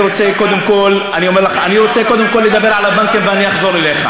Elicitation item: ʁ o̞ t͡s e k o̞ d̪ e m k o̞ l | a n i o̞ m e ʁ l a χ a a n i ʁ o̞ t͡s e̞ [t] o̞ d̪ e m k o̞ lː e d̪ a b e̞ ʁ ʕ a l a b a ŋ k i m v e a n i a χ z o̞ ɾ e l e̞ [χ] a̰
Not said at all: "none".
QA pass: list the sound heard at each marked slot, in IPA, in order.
k, χ

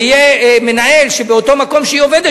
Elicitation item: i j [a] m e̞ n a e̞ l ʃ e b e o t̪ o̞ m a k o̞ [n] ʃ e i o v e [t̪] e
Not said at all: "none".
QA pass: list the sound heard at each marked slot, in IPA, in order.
e, m, d̪

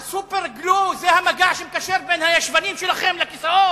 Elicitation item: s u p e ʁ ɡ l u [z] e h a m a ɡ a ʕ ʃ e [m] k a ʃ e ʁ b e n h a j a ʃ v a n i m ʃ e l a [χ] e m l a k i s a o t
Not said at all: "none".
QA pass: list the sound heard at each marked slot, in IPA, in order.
z, m, χ

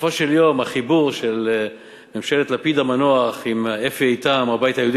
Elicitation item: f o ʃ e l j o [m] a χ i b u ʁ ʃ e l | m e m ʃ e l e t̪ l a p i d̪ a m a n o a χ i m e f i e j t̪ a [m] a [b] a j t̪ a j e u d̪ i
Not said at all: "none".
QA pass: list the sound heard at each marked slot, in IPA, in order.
m, m, b

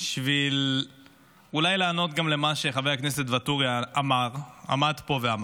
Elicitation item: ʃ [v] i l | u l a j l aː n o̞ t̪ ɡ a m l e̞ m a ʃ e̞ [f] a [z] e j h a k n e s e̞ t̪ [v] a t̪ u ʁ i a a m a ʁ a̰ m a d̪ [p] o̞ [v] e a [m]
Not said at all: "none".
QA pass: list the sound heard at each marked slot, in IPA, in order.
v, χ, v, v, p, v, m

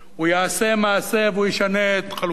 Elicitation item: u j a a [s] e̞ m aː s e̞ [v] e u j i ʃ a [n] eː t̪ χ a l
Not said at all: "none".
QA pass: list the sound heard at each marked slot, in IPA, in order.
s, v, n

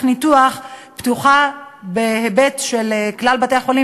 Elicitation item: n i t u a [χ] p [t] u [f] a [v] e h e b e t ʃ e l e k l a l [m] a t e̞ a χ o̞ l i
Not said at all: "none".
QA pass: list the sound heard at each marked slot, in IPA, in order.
χ, t, χ, b, b

